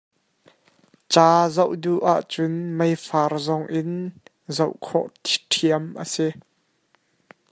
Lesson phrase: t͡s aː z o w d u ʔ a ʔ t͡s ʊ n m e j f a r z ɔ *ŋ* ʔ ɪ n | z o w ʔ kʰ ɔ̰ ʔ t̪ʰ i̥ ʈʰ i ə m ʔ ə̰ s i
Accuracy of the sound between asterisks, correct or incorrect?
correct